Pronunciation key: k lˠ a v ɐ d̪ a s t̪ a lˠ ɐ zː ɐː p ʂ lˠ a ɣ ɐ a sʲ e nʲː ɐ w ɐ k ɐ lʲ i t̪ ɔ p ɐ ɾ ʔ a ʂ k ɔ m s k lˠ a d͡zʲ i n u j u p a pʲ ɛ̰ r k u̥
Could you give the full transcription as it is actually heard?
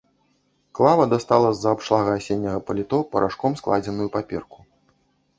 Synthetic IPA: k lˠ a v ɐ d̪ a s t̪ a lˠ ɐ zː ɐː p ʂ lˠ a ɣ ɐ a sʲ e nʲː ɐ ɣ ɐ p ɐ lʲ i t̪ ɔ p ɐ ɾ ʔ a ʂ k ɔ m s k lˠ a d͡zʲ ɛ n u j u p a pʲ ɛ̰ r k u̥